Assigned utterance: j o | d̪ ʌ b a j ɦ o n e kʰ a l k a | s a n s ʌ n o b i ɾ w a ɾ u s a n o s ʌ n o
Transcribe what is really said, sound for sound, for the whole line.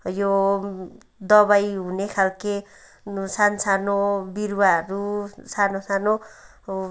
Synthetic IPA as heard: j o | d̪ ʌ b a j ɦ u n e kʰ a l k e | s a n s a n o b i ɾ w a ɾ u s a n o s a n o